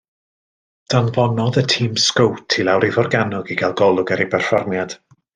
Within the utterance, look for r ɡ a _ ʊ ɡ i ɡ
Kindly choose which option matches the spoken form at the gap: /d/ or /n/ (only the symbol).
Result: n